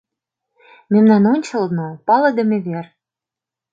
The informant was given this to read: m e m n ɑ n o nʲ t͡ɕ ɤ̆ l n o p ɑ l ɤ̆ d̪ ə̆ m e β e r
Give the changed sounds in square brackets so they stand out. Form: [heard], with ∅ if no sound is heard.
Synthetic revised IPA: m e m n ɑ n o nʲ t͡ɕ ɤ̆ l n o p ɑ l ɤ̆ d̪ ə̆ m e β e r